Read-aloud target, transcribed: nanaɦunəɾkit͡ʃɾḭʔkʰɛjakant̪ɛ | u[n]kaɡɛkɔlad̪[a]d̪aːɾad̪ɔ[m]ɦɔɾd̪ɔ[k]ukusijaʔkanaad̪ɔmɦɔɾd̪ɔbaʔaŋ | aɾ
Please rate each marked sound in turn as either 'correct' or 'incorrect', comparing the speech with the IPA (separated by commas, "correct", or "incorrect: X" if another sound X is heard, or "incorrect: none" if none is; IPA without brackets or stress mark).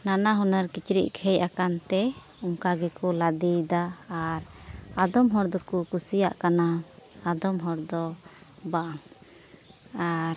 incorrect: ŋ, incorrect: i, correct, correct